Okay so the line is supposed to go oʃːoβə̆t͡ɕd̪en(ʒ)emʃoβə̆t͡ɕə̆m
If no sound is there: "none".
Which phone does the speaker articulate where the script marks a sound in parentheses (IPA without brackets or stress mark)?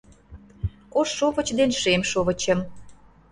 ʃ